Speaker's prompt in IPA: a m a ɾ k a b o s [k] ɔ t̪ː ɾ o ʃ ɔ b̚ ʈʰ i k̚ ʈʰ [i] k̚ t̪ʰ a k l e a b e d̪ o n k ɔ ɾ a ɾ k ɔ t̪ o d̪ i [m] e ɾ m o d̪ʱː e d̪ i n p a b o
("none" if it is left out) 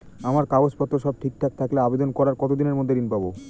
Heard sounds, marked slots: p, a, n

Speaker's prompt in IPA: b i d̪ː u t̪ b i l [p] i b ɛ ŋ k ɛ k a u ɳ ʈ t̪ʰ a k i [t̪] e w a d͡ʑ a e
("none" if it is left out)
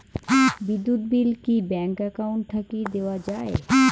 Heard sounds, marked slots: k, d̪

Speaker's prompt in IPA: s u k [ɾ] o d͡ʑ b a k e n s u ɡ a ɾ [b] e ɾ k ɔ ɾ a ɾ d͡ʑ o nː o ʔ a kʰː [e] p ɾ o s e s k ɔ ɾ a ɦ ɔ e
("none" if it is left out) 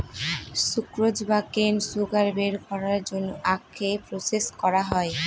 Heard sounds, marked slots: ɾ, b, e

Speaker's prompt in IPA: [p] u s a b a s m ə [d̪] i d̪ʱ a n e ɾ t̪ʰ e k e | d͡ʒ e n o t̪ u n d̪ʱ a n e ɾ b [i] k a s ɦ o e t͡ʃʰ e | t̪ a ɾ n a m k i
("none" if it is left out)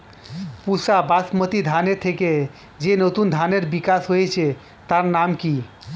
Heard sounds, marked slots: p, t̪, i

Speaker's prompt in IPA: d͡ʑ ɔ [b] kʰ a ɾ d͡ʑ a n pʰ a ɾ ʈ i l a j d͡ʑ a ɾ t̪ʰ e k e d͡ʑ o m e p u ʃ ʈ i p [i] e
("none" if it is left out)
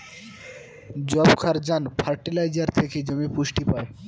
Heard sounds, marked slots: b, a

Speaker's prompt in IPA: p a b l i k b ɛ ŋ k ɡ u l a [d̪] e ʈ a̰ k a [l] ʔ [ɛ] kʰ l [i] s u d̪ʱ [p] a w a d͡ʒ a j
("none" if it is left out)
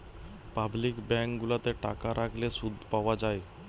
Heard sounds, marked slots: t̪, ɾ, a, e, p

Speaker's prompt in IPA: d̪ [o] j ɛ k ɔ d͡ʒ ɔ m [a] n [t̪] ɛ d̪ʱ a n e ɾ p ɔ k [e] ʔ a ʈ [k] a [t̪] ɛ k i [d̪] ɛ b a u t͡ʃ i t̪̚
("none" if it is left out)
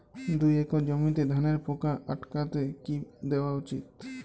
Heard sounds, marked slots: u, i, t̪, a, k, t̪, d̪

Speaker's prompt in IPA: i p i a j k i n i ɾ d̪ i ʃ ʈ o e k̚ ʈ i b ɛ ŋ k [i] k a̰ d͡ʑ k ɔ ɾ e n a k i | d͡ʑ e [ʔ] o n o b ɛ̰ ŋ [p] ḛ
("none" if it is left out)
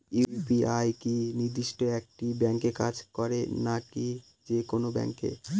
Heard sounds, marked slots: e, k, k

